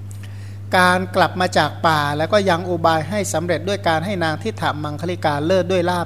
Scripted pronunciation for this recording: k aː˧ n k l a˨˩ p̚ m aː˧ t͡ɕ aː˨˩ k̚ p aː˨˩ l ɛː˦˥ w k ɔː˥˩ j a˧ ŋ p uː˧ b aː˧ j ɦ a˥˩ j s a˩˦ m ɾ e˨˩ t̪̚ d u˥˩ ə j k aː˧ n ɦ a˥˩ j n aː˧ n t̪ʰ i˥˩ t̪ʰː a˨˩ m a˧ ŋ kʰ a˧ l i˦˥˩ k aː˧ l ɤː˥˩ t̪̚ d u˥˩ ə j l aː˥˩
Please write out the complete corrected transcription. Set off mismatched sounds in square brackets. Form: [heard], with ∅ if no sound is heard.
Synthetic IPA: k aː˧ n k l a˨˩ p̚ m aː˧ t͡ɕ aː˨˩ k̚ p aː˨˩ l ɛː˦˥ w k ɔː˥˩ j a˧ ŋ [ʔ] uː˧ b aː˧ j ɦ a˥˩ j s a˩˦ m ɾ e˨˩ t̪̚ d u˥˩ ə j k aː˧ n ɦ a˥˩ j n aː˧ [ŋ] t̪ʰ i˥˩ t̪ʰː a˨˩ m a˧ ŋ kʰ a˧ l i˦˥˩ k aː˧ l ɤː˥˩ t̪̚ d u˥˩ ə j l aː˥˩